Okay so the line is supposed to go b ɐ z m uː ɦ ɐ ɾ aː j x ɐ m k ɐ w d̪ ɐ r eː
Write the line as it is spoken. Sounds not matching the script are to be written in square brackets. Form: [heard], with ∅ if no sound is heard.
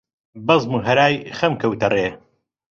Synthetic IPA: b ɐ z m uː ɦ ɐ ɾ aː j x ɐ m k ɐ w [t̪] ɐ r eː